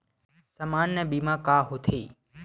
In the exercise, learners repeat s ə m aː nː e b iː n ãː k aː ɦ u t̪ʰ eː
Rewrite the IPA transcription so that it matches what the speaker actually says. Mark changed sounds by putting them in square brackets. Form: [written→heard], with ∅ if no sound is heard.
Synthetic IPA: s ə m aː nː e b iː [n→m] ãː k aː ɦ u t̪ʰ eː